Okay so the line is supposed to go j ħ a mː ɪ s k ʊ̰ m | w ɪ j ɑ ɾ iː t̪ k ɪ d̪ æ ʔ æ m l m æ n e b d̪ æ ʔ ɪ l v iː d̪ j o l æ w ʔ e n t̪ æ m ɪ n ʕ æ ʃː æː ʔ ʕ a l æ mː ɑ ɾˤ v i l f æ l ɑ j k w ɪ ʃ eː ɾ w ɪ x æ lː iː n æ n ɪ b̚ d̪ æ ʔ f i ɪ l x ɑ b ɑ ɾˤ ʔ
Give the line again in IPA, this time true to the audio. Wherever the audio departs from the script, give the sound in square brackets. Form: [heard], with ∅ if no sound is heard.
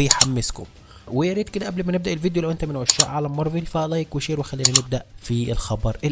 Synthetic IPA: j ħ a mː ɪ s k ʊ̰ m | w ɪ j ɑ ɾ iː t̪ k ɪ d̪ æ ʔ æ [b] l m æ n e b d̪ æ ʔ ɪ l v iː d̪ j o l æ w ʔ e n t̪ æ m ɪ n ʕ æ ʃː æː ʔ ʕ a l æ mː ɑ ɾˤ v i l f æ l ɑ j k w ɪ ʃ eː ɾ w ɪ x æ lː iː n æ n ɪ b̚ d̪ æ ʔ f i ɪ l x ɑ b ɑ ɾˤ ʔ